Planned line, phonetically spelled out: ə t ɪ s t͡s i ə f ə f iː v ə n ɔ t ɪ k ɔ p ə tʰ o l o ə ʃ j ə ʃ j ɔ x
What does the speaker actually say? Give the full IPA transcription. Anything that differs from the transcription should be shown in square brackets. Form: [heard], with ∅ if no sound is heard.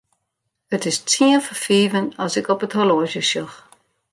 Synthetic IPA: ə t ɪ s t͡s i ə f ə f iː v ə n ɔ [s] ɪ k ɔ p ə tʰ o l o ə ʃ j ə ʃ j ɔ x